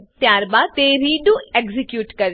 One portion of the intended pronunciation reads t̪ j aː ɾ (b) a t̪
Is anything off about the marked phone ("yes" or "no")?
no